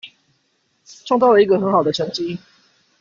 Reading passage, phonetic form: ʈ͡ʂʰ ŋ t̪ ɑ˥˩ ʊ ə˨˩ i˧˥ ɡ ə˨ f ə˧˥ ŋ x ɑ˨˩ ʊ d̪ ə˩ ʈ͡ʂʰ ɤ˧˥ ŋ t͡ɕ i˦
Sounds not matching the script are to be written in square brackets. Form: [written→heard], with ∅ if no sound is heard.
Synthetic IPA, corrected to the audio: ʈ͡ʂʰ ŋ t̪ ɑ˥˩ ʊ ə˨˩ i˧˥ ɡ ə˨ [f→x] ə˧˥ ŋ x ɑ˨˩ ʊ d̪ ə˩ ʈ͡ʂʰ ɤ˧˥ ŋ t͡ɕ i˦